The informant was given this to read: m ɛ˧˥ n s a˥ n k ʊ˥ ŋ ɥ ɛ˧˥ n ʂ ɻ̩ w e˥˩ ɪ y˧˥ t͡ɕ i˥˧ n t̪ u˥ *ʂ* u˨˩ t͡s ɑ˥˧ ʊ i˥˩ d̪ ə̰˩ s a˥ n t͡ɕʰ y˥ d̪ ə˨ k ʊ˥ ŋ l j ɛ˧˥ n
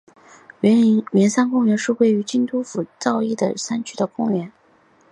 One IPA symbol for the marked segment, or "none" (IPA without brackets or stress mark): f